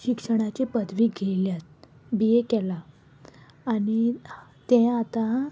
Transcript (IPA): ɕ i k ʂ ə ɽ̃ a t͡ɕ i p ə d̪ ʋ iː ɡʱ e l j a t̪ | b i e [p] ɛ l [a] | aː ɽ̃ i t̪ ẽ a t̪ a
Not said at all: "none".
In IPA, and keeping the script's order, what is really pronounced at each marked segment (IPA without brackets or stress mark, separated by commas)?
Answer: k, a